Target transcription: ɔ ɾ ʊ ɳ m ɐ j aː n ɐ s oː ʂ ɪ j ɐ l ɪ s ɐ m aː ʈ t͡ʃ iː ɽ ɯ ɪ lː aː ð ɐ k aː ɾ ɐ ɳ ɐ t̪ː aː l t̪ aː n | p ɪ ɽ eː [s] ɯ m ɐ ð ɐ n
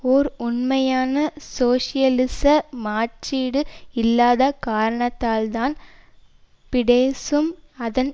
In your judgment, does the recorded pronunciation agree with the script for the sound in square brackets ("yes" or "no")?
yes